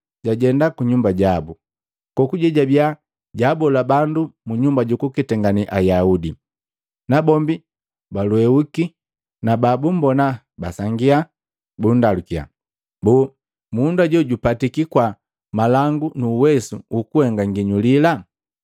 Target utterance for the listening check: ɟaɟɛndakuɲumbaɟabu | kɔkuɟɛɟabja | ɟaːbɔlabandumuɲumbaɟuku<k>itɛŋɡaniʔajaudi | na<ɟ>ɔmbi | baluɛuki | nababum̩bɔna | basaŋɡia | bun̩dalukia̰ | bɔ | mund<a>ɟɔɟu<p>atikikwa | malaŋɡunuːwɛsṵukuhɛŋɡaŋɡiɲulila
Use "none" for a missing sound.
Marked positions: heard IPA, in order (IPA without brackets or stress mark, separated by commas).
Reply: k, b, a, p